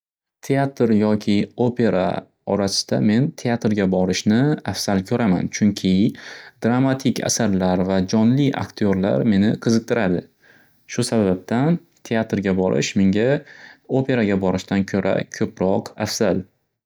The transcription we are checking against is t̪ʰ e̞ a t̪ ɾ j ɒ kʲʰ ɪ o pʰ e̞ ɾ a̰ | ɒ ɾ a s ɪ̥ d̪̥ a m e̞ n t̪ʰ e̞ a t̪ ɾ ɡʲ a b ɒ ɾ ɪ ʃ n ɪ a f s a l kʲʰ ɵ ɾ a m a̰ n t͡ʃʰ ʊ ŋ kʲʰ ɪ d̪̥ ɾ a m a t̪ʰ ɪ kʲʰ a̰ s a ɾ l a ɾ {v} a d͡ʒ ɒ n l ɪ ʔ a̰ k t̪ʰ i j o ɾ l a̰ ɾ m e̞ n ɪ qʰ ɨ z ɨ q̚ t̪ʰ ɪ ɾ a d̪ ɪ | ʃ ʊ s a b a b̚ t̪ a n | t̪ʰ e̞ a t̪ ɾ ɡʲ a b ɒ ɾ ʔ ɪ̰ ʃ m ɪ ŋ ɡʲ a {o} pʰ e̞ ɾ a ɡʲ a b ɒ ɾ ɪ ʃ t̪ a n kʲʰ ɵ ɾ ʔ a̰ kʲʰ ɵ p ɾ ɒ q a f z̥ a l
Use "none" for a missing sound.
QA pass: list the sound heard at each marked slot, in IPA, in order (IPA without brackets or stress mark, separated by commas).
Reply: v, o